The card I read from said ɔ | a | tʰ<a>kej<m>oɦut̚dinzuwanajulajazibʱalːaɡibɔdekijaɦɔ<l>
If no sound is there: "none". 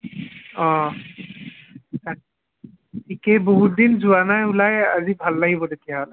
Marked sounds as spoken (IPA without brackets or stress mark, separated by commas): i, b, l